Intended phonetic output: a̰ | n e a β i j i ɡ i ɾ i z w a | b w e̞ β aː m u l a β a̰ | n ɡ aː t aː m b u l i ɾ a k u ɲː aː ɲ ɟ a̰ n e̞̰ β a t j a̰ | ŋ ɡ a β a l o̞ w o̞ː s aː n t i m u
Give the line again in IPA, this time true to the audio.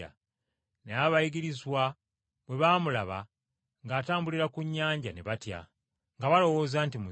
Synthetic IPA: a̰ | n e a β a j i ɡ i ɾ i z w a | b w e̞ β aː m u l a β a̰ | ŋ ɡ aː t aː m b u l i ɾ a k u ɲː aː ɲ ɟ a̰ n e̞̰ β a t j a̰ | ŋ ɡ a β a l o̞ w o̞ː z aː n t i m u